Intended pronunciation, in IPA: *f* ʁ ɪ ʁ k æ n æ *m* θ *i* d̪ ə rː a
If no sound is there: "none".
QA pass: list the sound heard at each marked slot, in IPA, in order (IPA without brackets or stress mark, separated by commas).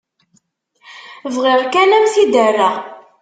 v, m, i